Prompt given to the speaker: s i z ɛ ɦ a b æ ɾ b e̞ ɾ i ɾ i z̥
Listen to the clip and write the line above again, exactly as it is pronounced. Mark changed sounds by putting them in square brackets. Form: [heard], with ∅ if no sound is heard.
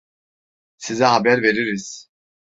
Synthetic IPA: s i z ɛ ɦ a b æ ɾ [v] e̞ ɾ i ɾ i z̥